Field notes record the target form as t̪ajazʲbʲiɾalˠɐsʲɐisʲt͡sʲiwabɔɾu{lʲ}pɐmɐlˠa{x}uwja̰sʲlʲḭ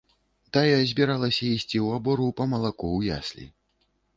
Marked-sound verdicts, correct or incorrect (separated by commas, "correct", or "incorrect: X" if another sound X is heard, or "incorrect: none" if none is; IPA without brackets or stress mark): incorrect: none, incorrect: k